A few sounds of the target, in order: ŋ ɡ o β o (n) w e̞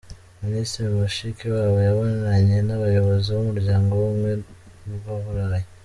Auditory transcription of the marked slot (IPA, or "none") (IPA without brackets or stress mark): m